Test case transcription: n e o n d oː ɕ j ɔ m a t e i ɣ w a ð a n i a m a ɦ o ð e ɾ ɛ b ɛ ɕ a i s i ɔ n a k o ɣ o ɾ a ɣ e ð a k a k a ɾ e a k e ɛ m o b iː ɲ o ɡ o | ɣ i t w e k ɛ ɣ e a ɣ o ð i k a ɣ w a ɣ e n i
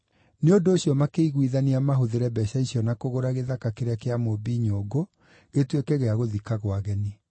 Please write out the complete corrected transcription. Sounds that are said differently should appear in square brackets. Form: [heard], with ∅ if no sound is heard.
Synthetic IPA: n e o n d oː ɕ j ɔ m a [k] e i ɣ w [i] ð a n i a m a ɦ o ð e ɾ ɛ b ɛ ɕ a i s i ɔ n a k o ɣ o ɾ a ɣ e ð a k a k [e] ɾ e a k e [a] m o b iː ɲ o ɡ o | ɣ [e] t w e k ɛ ɣ e a ɣ o ð i k a ɣ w a ɣ [ɛ] n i